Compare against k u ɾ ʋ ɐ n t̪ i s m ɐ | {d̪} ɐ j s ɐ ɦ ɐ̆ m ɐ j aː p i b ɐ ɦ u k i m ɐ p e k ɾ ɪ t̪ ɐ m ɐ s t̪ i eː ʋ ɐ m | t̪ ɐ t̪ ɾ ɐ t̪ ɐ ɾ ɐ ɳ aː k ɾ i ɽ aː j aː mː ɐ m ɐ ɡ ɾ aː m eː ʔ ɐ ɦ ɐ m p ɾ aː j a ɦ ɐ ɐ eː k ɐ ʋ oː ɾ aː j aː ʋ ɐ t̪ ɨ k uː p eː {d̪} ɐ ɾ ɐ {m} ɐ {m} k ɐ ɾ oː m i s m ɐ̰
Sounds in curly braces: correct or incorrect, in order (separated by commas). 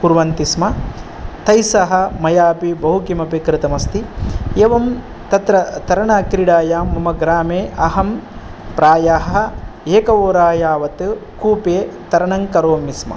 incorrect, incorrect, incorrect, incorrect